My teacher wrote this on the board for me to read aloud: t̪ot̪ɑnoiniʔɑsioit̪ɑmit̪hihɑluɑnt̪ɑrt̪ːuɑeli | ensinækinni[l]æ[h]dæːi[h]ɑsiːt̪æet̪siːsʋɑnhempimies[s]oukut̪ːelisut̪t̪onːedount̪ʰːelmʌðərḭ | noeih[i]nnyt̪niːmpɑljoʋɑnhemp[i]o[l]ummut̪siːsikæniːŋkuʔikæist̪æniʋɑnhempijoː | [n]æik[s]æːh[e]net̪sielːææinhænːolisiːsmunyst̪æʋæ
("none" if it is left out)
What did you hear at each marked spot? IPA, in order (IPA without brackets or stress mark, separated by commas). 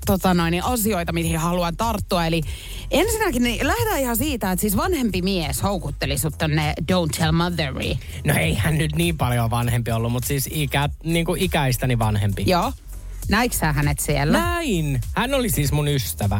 l, h, h, h, æ, i, lː, n, s, æ